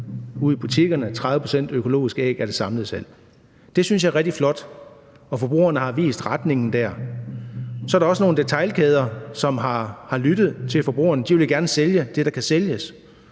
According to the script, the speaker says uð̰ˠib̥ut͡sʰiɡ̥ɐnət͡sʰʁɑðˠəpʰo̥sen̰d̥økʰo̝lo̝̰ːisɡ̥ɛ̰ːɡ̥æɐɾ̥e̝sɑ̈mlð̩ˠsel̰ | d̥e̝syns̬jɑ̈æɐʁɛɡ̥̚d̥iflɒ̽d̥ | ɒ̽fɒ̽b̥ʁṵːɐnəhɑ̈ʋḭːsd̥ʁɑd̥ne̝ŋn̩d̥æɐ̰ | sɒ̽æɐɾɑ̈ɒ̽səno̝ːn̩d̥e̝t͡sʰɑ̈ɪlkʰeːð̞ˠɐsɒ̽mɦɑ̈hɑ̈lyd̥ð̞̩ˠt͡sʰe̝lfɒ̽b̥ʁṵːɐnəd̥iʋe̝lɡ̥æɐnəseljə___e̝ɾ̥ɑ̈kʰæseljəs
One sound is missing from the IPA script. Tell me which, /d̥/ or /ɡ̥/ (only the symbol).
d̥